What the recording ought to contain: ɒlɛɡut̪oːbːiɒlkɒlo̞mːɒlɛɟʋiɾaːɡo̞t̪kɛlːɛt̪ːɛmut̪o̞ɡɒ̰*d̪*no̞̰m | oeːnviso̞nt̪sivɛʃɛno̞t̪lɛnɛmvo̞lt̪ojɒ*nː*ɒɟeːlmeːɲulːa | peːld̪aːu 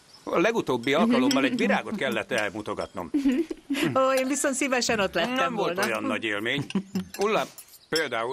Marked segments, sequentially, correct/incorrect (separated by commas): incorrect, correct